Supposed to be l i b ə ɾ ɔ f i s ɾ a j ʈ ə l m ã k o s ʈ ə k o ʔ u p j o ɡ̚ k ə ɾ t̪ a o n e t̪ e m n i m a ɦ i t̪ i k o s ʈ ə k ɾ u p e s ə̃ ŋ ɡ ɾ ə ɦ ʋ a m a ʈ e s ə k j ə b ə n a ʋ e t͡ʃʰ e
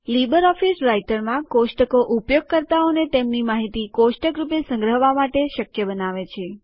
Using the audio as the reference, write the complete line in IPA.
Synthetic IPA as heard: l i b ə ɾ ɔ f i s ɾ a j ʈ ə ɾ m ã k o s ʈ ə k o ʔ u p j o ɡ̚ k ə ɾ t̪ a o n e t̪ e m n i m a ɦ i t̪ i k o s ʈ ə k ɾ u p e s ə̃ ŋ ɡ ɾ ə ɦ ʋ a m a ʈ e ʃ ə k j ə b ə n a ʋ e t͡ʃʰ e